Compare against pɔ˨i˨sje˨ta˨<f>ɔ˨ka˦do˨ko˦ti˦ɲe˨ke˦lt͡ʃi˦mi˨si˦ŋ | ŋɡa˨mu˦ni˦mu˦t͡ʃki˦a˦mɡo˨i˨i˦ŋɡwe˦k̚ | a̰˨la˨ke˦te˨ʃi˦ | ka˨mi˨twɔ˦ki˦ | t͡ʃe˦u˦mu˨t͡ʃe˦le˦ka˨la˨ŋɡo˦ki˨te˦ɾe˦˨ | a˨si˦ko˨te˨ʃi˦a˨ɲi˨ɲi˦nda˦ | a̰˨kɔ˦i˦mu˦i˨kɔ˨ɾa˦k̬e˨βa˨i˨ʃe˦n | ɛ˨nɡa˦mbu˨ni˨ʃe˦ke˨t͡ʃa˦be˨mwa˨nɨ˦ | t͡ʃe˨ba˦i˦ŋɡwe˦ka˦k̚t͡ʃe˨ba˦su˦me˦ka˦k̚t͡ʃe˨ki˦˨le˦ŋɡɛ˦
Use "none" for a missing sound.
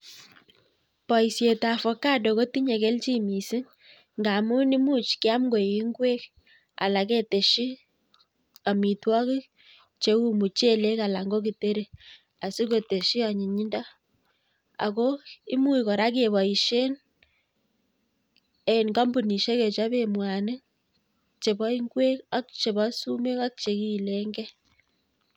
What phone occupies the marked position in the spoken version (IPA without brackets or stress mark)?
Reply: f